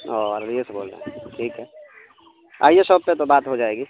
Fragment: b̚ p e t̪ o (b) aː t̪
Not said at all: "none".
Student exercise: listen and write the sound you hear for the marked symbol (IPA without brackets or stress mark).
b